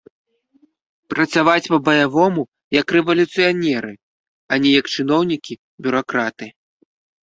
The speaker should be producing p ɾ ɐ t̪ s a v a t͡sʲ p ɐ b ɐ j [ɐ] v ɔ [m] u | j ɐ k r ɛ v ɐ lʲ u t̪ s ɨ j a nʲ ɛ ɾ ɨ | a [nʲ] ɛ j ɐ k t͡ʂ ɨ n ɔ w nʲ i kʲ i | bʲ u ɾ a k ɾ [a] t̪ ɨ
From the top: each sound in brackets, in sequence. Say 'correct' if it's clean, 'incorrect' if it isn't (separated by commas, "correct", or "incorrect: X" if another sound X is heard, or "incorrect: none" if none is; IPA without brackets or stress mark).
incorrect: a, correct, correct, correct